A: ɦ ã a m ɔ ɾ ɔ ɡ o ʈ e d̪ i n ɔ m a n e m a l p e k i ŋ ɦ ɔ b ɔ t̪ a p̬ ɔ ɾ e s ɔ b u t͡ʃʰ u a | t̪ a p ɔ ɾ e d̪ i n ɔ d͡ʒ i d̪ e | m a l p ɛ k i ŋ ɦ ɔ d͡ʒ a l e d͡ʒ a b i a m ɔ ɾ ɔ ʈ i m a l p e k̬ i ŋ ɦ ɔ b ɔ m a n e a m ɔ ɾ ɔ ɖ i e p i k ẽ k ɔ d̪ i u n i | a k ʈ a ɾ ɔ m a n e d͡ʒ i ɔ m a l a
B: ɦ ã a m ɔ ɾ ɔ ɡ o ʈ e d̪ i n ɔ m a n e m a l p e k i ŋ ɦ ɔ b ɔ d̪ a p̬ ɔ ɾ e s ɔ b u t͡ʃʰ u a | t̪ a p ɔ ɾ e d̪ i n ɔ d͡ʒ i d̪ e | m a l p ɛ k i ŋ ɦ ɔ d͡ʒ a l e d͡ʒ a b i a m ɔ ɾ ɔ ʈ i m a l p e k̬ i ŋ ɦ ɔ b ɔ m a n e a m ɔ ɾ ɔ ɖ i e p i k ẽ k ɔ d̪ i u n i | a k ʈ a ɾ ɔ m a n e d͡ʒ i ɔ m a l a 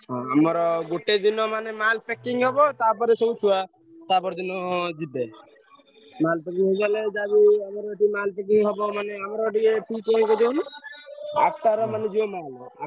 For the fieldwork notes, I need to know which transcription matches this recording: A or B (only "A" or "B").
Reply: A